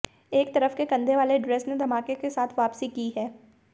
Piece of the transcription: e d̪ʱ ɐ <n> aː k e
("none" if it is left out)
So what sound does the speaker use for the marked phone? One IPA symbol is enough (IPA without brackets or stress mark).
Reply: m